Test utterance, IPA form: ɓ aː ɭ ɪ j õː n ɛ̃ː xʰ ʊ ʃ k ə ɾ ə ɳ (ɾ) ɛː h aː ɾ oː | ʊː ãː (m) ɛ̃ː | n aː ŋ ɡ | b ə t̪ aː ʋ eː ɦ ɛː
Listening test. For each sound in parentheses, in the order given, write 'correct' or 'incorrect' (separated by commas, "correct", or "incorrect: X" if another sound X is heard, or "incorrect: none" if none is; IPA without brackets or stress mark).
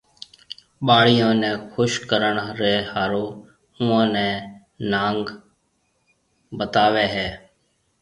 correct, incorrect: n